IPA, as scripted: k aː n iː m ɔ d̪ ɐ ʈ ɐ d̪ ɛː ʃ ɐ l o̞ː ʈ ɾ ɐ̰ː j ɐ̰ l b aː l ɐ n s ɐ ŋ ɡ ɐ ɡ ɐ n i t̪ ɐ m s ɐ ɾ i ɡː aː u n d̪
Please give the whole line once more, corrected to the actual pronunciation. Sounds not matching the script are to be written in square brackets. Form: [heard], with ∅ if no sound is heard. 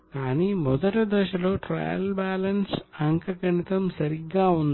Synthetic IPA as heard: k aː n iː m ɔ d̪ ɐ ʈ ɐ d̪ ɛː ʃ ɐ l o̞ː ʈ ɾ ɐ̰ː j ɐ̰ l b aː l ɐ n s ɐ ŋ [k] ɐ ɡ ɐ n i t̪ ɐ m s ɐ ɾ i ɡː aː u n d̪